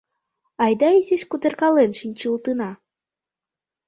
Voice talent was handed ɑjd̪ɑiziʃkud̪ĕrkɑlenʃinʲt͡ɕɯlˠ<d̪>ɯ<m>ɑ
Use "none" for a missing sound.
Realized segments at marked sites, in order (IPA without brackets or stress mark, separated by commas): t̪, n